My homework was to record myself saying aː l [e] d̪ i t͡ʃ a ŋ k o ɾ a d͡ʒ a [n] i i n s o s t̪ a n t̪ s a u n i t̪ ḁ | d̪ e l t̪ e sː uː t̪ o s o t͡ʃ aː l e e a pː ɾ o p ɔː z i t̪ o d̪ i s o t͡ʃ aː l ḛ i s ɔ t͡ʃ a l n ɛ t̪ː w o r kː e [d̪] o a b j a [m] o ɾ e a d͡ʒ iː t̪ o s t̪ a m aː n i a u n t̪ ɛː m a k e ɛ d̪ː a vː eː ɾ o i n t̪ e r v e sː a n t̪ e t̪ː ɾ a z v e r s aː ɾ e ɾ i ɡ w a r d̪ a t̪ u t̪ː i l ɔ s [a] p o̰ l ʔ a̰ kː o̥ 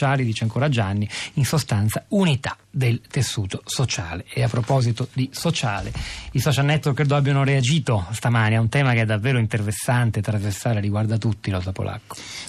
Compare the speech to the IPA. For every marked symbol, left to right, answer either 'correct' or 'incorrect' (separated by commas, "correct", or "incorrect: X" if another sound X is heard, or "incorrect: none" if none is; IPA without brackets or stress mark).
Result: incorrect: i, incorrect: nː, correct, incorrect: n, correct